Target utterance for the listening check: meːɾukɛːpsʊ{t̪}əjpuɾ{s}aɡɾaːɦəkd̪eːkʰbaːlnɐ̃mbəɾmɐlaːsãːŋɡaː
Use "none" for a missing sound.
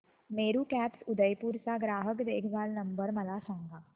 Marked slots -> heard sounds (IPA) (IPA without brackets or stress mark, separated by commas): d̪, s